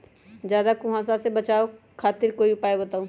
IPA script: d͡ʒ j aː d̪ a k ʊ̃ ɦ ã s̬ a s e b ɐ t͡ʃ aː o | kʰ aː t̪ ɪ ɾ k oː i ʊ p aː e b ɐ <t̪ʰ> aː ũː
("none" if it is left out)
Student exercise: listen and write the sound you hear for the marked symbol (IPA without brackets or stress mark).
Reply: t̪